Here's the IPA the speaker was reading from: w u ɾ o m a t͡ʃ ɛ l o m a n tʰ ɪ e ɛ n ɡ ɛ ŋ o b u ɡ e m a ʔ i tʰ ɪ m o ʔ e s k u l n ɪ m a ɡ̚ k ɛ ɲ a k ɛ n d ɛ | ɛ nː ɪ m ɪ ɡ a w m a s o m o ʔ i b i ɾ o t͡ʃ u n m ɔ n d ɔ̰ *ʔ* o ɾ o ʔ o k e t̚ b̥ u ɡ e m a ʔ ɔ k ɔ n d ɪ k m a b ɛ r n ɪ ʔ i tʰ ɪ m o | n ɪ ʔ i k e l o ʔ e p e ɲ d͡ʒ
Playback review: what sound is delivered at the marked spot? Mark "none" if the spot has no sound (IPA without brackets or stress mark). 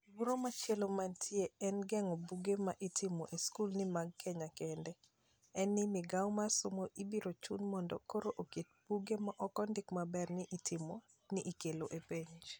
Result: k